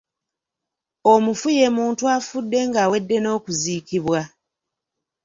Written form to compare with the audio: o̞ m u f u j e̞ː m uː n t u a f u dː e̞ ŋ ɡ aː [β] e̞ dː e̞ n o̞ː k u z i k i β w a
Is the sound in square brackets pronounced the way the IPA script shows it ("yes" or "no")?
no